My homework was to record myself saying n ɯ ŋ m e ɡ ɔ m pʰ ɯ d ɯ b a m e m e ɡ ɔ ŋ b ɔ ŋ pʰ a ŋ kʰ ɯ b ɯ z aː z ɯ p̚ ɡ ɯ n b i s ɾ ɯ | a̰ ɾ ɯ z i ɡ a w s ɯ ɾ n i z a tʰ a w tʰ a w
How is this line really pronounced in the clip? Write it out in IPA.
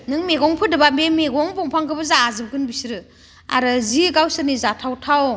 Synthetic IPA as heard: n ɯ ŋ m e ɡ ɔ ŋ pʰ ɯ d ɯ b a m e m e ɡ ɔ ŋ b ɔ ŋ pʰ a ŋ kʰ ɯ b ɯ z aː z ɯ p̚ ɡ ɯ n b i s ɾ ɯ | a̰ ɾ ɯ z i ɡ a w s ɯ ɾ n i z a tʰ a w tʰ a w